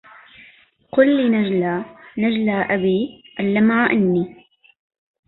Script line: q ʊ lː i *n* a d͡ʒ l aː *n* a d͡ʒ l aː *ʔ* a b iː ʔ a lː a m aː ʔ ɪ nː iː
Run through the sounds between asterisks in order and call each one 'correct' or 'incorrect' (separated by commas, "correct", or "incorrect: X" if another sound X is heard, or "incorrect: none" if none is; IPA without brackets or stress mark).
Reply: correct, correct, correct